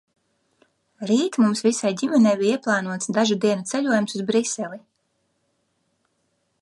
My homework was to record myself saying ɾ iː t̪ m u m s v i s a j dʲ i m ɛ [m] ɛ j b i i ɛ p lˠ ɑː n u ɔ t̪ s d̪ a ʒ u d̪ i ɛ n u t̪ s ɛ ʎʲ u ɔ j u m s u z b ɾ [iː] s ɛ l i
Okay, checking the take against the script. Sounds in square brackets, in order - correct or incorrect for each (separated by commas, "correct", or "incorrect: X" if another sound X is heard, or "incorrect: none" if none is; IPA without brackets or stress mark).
incorrect: n, incorrect: i